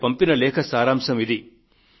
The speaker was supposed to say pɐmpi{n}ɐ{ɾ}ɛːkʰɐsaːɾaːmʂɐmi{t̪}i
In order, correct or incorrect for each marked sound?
correct, incorrect: l, incorrect: d̪

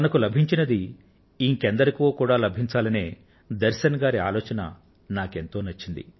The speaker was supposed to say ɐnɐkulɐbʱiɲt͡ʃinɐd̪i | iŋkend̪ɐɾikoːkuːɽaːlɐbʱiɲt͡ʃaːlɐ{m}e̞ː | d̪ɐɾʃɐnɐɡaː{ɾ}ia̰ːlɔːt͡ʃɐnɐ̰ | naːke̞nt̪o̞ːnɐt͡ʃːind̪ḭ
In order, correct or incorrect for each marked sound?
incorrect: n, correct

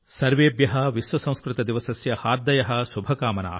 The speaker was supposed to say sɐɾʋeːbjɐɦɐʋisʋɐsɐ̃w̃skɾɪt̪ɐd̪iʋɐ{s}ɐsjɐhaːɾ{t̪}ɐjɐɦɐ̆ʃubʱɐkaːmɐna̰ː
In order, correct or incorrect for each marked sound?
correct, incorrect: d̪

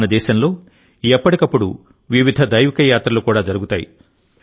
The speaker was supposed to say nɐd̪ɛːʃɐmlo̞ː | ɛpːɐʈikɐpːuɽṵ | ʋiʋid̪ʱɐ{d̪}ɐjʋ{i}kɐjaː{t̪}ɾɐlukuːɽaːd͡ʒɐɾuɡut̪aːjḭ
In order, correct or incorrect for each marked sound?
correct, correct, correct

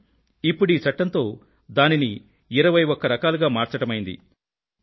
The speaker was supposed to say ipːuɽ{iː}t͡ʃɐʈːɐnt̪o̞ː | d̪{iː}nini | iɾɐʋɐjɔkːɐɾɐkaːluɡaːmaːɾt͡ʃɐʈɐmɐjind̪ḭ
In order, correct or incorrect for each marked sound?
correct, incorrect: aː

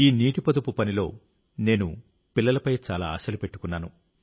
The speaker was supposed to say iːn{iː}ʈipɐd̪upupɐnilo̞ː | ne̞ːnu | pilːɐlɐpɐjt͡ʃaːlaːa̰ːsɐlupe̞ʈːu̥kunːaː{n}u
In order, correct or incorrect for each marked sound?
correct, correct

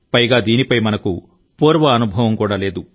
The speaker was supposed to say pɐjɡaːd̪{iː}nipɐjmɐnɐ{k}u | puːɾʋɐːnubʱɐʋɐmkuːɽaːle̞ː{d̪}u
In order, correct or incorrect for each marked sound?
correct, correct, correct

